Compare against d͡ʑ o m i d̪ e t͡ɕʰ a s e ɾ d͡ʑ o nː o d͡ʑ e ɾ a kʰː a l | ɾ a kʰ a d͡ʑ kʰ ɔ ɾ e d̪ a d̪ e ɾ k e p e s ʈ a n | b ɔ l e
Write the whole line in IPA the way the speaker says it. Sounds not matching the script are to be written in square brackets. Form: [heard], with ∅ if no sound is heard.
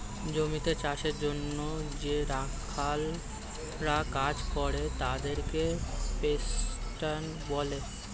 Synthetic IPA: d͡ʑ o m i [t̪] e [t͡ɕ] a [ʃ] e ɾ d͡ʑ o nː o d͡ʑ e ɾ a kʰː a l | ɾ a [k] a d͡ʑ [k] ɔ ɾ e [t̪] a d̪ e ɾ k e p e s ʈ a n | b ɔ l e